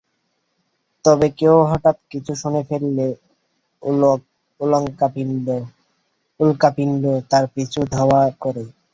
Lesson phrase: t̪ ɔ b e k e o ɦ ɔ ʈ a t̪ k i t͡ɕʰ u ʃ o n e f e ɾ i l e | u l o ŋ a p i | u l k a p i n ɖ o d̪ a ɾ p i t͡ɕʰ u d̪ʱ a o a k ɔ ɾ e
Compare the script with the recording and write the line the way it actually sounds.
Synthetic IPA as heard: t̪ ɔ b e k e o ɦ ɔ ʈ a t̪ k i t͡ɕʰ u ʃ o n e f e ɾ i l e | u l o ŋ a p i | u l k a p i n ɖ o t̪ a ɾ p i t͡ɕʰ u d̪ʱ a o a k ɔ ɾ e